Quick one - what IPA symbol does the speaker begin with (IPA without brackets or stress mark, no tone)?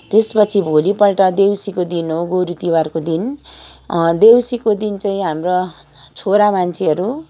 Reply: t̪